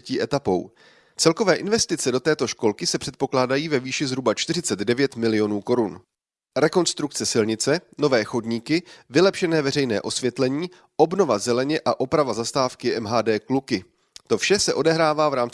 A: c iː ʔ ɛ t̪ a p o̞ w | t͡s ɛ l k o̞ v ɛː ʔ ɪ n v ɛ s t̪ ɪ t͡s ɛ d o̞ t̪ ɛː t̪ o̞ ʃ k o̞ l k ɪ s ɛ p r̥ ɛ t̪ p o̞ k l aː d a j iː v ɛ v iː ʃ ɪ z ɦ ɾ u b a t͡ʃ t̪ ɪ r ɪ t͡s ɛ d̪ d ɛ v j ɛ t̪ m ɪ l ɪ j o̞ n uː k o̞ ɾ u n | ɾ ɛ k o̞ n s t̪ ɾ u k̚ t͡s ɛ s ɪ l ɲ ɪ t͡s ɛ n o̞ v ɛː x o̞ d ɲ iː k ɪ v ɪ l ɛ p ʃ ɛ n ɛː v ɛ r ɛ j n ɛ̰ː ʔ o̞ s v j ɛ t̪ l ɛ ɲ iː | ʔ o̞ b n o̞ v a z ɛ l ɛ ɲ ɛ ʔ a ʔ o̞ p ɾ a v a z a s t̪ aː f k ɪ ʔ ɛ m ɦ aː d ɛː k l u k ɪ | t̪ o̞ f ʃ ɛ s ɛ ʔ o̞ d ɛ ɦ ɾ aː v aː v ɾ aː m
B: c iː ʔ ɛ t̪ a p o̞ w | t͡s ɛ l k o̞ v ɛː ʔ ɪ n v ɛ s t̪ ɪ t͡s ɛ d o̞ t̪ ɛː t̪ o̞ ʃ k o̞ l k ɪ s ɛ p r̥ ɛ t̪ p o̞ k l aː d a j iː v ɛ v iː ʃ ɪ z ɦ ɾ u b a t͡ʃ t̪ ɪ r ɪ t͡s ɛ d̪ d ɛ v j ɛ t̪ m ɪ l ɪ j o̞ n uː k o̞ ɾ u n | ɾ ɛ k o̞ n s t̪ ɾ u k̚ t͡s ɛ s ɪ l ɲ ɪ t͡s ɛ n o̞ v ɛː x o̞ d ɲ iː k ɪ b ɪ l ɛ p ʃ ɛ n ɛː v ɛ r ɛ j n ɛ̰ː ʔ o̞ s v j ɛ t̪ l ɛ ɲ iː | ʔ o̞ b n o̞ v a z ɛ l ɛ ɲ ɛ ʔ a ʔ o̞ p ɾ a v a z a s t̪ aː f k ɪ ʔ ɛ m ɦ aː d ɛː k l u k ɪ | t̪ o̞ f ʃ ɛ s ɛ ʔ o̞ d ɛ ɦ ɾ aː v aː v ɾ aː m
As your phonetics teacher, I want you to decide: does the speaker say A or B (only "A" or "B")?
A